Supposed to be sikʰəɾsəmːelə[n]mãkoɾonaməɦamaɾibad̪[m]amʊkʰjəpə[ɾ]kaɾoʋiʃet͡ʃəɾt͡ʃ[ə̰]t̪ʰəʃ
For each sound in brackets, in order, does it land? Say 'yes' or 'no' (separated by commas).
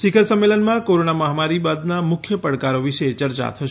yes, no, no, no